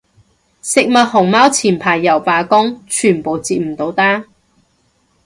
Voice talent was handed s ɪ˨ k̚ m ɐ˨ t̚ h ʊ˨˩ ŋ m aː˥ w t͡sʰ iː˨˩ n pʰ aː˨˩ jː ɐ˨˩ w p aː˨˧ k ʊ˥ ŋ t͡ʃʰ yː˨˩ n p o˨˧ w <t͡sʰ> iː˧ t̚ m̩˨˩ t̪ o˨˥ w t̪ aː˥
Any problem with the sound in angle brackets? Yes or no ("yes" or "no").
yes